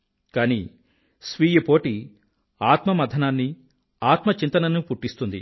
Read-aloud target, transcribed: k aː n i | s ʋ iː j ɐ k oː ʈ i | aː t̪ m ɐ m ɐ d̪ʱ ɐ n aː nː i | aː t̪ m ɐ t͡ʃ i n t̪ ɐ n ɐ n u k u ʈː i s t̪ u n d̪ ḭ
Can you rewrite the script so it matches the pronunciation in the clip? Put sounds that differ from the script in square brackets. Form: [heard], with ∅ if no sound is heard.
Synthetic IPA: k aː n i | s ʋ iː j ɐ [p] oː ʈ i | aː t̪ m ɐ m ɐ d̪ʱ ɐ n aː nː i | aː t̪ m ɐ t͡ʃ i n t̪ ɐ n ɐ n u [p] u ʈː i s t̪ u n d̪ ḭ